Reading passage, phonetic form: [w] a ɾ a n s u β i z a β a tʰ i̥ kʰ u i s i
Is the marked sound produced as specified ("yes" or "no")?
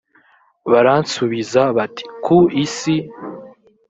no